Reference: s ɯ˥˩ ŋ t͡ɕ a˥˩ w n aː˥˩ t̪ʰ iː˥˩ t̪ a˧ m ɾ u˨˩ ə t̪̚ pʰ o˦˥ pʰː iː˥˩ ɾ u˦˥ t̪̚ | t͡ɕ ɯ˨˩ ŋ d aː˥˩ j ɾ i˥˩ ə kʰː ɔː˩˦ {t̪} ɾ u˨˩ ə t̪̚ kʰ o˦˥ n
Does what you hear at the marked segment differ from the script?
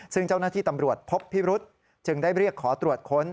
no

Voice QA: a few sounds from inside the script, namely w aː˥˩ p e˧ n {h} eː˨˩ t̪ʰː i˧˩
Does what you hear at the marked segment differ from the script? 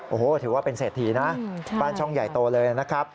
yes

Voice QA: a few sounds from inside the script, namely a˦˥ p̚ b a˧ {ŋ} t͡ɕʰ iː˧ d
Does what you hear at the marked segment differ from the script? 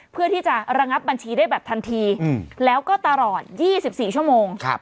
yes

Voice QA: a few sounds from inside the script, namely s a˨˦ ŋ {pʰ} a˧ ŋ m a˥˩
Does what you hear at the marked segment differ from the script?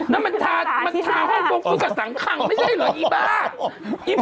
yes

